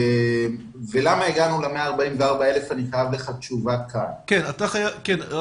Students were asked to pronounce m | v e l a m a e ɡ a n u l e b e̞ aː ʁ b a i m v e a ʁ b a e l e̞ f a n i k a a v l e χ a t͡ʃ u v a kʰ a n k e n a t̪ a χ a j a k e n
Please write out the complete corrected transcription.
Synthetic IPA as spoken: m | v e l a m a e ɡ a n u l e m e̞ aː ʁ b a i m v e a ʁ b a e l e̞ f a n i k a a v l e χ a t͡ʃ u v a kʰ a n k e n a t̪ a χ a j a k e n